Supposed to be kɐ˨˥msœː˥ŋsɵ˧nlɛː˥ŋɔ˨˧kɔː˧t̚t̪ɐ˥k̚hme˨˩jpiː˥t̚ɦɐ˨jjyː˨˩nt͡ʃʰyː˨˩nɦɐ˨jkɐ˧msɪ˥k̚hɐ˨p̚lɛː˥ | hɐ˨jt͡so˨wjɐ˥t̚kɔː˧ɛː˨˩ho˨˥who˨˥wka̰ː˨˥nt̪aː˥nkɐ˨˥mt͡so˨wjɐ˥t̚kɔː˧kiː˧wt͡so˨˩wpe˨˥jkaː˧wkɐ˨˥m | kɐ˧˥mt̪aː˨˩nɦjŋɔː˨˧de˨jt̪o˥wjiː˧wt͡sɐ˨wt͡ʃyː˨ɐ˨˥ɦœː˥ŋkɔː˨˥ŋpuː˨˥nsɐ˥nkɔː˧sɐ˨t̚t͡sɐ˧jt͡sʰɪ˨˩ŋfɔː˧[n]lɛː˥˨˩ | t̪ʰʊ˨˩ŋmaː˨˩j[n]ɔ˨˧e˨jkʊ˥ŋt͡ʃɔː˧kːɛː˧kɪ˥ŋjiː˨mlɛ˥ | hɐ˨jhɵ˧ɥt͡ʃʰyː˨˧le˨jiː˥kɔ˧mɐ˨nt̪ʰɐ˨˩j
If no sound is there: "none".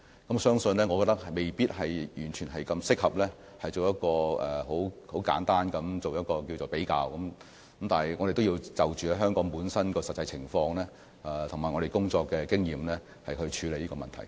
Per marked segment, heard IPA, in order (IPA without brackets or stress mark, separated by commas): ŋ, ŋ